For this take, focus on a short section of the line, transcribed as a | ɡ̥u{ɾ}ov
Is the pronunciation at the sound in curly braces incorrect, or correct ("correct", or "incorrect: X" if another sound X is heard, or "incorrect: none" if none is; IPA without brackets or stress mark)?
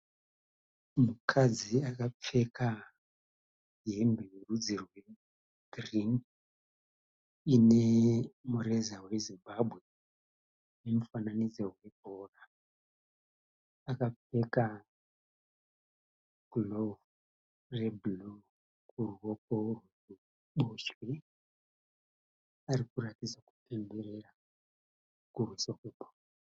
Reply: incorrect: l